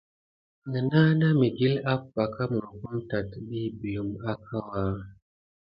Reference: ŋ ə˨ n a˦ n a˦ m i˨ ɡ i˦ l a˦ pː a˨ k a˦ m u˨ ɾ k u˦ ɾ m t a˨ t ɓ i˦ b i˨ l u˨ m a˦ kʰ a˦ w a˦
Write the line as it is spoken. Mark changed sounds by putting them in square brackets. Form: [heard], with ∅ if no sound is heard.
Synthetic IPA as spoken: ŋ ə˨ n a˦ n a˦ m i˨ ɡ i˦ l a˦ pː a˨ k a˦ m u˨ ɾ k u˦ [∅] m t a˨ t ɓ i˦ b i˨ l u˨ m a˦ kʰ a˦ w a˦